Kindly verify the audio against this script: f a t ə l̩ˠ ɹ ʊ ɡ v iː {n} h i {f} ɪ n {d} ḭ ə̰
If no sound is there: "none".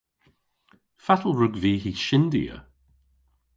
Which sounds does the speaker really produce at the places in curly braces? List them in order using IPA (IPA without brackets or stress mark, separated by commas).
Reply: none, ʃ, d